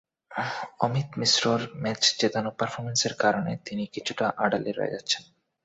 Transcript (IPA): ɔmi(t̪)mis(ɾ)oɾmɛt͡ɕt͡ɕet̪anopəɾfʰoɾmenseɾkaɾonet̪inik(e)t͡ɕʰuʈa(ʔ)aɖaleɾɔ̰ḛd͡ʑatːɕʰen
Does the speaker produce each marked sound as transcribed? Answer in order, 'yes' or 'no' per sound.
yes, yes, no, yes

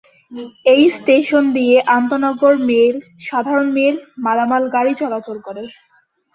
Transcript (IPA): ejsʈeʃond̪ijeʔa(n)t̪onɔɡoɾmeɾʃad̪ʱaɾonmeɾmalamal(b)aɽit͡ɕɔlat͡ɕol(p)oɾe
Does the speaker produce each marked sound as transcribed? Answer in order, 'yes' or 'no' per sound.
yes, no, no

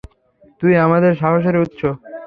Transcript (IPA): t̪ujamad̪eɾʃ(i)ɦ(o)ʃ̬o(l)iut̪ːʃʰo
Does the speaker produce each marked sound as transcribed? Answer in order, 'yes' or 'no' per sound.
no, yes, no

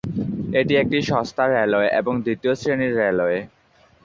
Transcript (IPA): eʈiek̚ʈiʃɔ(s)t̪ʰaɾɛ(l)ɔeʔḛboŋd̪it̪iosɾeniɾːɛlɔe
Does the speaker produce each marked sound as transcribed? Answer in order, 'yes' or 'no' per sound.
yes, yes

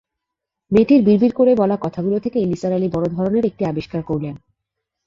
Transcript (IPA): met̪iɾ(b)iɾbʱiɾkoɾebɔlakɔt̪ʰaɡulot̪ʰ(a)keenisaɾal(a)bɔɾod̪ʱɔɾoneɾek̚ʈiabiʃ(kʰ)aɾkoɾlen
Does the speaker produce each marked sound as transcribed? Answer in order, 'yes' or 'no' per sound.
yes, no, no, no

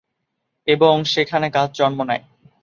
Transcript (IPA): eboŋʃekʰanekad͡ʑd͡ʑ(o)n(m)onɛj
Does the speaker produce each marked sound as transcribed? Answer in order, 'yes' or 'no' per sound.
no, yes

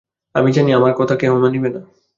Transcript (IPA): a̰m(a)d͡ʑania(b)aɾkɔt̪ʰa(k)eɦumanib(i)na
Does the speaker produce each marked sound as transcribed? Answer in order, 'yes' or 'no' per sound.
no, no, yes, no

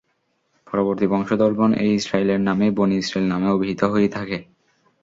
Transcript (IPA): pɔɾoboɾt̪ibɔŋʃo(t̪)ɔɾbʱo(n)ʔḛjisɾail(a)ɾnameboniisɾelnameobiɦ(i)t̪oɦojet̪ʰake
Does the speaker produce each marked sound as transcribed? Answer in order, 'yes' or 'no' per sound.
no, yes, no, yes

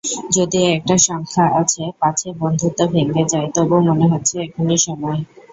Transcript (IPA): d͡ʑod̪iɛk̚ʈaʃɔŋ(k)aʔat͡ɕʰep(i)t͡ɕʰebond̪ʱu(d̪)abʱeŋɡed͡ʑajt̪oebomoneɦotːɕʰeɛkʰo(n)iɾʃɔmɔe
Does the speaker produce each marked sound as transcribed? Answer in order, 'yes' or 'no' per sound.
no, no, no, yes

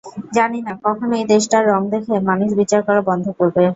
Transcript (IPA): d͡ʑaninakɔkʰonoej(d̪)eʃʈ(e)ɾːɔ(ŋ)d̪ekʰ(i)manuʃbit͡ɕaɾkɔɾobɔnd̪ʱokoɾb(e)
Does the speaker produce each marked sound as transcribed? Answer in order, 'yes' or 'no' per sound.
yes, no, yes, no, yes

